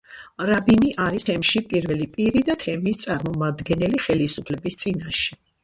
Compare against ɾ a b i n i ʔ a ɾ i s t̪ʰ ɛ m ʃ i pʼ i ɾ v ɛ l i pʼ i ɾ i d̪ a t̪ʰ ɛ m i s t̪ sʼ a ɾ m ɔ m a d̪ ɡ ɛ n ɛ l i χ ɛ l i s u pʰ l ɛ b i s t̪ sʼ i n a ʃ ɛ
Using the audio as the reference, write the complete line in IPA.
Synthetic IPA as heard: ɾ a b i n i ʔ a ɾ i s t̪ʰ ɛ m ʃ i pʼ i ɾ v ɛ l i pʼ i ɾ i d̪ a t̪ʰ ɛ m i s t̪ sʼ a ɾ m ɔ m a d̪ ɡ ɛ n ɛ l i χ ɛ l i s u pʰ l ɛ b i s t̪ sʼ i n a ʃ ɛ